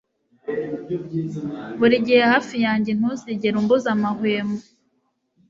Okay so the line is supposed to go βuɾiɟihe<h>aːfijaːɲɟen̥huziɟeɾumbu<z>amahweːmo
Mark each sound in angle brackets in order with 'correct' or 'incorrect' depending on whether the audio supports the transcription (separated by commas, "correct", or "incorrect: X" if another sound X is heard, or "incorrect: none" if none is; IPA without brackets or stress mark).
correct, correct